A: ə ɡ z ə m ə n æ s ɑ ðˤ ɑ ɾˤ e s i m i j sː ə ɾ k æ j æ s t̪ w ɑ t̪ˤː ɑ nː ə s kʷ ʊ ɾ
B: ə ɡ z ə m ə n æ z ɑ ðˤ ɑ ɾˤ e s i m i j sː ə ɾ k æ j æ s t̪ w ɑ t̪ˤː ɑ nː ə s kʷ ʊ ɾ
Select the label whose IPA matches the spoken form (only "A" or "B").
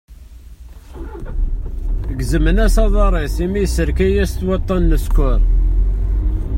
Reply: A